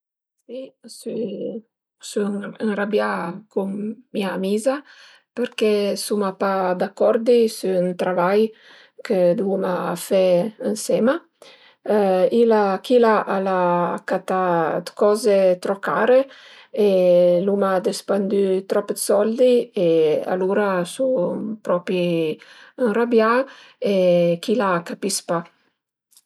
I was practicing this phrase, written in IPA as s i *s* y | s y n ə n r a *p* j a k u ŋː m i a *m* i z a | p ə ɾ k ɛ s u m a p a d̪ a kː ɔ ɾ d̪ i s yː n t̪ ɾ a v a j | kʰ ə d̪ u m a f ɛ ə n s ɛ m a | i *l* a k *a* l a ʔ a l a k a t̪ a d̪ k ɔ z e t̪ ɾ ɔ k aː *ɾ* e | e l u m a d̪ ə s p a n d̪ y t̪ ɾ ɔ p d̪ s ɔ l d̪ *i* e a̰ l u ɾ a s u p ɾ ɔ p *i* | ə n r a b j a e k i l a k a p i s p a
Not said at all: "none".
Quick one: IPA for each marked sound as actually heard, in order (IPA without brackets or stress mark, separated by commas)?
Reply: s, b, m, l, i, ɾ, i, i